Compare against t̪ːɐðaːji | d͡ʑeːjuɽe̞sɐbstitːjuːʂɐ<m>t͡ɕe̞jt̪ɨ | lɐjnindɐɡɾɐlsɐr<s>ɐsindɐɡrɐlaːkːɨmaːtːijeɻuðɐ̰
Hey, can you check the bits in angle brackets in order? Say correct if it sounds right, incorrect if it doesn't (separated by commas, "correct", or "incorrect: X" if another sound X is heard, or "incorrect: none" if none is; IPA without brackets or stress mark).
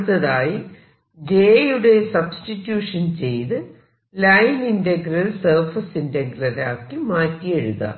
incorrect: n, incorrect: f